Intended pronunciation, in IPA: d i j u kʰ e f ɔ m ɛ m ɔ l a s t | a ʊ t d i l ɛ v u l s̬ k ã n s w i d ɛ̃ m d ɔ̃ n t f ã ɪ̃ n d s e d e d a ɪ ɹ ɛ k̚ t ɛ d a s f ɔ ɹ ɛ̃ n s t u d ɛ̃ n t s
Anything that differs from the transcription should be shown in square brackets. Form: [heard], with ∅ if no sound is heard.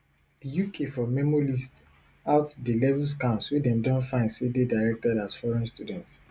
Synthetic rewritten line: d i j u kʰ e f ɔ m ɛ m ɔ l [i] s t | a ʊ t d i l ɛ v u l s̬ k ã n s w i d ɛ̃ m d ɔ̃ n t f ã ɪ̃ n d s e d e d a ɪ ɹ ɛ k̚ t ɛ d a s f ɔ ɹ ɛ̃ n s t u d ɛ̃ n t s